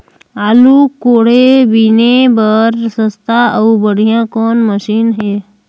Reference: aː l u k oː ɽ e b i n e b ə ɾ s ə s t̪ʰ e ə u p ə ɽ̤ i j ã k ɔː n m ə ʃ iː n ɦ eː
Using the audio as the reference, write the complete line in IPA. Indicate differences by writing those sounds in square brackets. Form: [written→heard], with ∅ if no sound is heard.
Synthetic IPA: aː l u k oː ɽ e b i n e b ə ɾ s ə s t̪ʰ [e→a] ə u [p→b] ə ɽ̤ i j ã k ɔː n m ə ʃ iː n ɦ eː